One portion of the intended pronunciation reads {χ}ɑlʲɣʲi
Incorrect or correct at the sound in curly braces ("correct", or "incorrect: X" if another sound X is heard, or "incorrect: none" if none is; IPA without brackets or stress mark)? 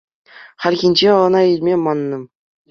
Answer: correct